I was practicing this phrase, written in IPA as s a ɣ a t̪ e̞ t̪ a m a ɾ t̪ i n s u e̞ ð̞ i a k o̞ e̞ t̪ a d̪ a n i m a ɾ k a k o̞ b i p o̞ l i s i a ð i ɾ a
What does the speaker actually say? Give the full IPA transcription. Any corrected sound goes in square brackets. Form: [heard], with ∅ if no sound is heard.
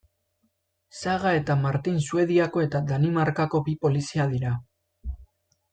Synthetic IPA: s a ɣ a [∅] e̞ t̪ a m a ɾ t̪ i n s u e̞ ð̞ i a k o̞ e̞ t̪ a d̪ a n i m a ɾ k a k o̞ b i p o̞ l i s i a ð i ɾ a